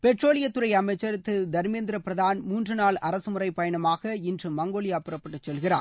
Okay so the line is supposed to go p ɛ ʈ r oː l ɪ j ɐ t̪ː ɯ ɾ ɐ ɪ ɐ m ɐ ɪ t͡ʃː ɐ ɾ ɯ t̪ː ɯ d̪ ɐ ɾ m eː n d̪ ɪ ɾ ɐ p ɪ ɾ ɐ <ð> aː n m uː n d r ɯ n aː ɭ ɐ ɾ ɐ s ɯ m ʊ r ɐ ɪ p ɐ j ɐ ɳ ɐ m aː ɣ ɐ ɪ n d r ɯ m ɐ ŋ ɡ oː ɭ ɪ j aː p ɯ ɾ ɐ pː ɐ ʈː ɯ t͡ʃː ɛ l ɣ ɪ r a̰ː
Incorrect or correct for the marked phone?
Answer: correct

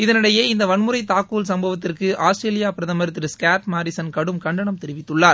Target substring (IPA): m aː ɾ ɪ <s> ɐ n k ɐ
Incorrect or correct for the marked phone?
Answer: correct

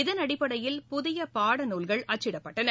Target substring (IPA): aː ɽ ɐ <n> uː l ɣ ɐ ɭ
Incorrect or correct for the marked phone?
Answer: correct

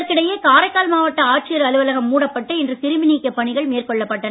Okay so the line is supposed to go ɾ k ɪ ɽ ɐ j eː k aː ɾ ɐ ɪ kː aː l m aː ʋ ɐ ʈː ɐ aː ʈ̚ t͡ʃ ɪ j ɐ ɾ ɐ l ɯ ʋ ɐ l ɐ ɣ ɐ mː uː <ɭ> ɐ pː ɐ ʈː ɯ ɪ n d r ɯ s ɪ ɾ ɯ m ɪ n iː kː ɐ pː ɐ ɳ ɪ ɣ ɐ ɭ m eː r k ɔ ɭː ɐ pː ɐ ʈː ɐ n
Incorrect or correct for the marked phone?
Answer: incorrect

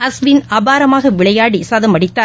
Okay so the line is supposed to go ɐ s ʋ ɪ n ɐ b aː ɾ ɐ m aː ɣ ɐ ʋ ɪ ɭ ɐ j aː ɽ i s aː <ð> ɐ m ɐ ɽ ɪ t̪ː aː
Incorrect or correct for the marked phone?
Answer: correct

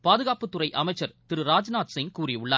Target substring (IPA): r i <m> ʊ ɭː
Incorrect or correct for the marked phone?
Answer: incorrect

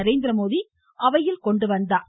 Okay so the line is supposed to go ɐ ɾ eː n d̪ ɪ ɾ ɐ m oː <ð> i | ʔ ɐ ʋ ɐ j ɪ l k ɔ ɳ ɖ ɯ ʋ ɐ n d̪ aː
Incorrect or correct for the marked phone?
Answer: correct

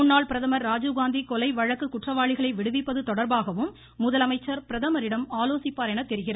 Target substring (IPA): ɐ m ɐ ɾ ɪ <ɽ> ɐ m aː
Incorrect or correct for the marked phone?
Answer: correct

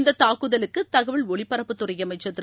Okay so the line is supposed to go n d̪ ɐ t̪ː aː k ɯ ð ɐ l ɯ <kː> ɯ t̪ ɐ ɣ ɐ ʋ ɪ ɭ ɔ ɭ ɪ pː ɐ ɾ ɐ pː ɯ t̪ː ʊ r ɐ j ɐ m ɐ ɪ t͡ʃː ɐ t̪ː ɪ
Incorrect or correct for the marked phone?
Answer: correct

